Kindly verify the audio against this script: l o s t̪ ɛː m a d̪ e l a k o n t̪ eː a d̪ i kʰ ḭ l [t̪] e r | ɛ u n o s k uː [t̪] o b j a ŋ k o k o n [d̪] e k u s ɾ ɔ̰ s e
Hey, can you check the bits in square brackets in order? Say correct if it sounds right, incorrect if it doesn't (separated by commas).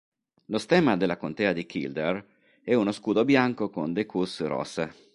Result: incorrect, incorrect, correct